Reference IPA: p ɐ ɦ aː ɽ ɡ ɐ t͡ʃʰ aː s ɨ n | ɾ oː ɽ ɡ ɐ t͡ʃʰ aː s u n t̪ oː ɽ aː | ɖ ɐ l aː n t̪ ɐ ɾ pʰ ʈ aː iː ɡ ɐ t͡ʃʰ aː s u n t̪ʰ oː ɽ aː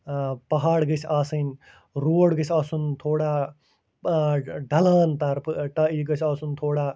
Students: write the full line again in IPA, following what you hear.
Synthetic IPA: p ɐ ɦ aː ɽ ɡ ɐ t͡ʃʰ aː s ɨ n | ɾ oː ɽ ɡ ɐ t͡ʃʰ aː s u n t̪ʰ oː ɽ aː | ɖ ɐ l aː n t̪ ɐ ɾ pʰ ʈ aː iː ɡ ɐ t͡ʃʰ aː s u n t̪ʰ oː ɽ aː